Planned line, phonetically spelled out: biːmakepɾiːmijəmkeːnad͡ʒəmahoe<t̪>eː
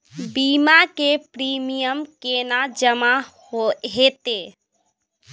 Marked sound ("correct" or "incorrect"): correct